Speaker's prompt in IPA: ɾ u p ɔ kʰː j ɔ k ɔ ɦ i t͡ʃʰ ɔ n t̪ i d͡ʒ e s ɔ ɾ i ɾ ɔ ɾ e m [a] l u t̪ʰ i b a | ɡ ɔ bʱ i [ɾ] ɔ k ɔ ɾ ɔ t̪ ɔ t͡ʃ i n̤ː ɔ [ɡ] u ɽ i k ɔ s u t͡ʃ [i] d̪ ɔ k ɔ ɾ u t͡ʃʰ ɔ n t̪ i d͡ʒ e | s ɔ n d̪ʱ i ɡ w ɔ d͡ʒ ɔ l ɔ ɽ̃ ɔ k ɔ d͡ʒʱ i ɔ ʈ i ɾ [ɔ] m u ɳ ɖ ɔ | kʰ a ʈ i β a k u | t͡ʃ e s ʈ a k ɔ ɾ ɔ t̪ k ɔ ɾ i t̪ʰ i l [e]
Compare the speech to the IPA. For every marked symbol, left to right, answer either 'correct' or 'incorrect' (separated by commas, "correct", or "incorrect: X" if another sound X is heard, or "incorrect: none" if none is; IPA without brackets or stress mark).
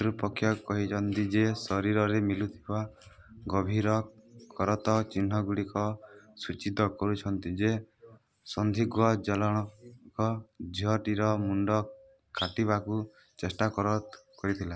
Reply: incorrect: i, correct, correct, correct, correct, incorrect: a